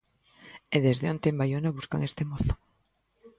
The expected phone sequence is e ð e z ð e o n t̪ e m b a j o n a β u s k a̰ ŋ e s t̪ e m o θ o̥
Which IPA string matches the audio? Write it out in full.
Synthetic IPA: e ð e z ð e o n t̪ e m b a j o n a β u s k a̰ ŋ e s t̪ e m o θ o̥